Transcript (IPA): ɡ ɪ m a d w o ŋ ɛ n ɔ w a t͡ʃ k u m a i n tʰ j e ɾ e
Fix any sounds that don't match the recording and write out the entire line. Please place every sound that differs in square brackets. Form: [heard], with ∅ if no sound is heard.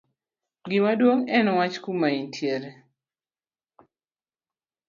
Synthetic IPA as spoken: ɡ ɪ m a d w o ŋ ɛ n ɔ w a t͡ʃ k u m a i n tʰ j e ɾ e